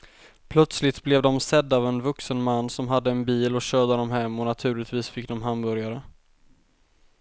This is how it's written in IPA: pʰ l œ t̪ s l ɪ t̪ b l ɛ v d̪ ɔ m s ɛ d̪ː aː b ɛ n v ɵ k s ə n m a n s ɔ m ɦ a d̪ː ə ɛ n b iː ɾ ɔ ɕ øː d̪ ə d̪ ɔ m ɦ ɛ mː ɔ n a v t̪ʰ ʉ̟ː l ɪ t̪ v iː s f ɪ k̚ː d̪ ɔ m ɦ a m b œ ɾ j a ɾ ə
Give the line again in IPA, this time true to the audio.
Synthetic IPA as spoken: pʰ l œ t̪ s l ɪ t̪ b l ɛ v d̪ ɔ m s ɛ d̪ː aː v ɛ n v ɵ k s ə n m a nː s ɔ m ɦ a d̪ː ə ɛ n b iː l ɔ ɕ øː d̪ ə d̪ ɔ m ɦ ɛ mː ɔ n a t̪ʰ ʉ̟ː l ɪ t̪ v iː s f ɪ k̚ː d̪ ɔ m ɦ a m b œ ɾ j a ɾ ə